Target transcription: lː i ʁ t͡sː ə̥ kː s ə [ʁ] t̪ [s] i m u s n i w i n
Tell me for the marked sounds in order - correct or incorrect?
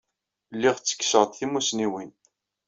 correct, incorrect: θ

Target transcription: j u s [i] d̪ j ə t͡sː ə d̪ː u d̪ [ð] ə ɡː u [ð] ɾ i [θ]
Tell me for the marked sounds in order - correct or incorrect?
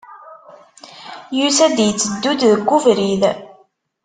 incorrect: æ, correct, incorrect: v, incorrect: ð

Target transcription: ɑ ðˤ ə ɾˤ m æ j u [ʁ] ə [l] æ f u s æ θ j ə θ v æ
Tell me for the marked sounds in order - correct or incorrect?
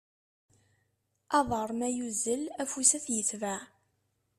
incorrect: z, correct

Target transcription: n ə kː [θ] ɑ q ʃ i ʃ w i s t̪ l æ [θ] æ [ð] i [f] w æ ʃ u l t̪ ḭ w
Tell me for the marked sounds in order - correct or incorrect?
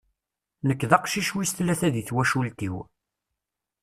incorrect: ð, correct, correct, incorrect: θ

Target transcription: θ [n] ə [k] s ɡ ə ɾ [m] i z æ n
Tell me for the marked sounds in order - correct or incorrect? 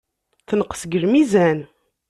correct, incorrect: q, correct

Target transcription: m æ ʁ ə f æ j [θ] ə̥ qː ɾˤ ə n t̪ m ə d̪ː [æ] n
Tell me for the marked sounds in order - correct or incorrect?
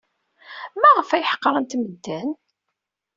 incorrect: ħ, correct

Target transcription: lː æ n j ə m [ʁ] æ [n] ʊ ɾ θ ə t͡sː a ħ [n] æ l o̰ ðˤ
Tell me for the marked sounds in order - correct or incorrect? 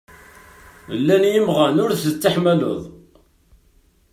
correct, correct, incorrect: m

